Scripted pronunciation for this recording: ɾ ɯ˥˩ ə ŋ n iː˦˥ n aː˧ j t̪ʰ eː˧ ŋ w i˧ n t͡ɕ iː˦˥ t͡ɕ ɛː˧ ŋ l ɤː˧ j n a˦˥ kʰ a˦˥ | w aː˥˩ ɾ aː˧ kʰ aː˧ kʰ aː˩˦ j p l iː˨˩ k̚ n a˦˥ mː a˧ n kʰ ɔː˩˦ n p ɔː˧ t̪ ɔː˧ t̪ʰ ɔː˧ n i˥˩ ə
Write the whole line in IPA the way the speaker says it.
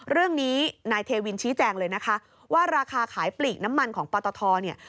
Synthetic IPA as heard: ɾ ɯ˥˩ ə ŋ n iː˦˥ n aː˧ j t̪ʰ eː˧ w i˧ n t͡ɕʰ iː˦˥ t͡ɕ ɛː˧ ŋ l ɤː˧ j n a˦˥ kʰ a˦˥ | w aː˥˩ ɾ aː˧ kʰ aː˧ kʰ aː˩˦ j p l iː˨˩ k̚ n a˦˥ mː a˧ n kʰ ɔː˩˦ ŋ p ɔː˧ t̪ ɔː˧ t̪ʰ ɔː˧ n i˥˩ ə